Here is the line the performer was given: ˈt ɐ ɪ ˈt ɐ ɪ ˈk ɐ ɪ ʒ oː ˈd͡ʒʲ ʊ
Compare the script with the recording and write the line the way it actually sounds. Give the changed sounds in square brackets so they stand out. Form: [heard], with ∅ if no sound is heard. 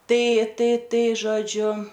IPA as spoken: ˈt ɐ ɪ ˈt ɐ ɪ [ˈt] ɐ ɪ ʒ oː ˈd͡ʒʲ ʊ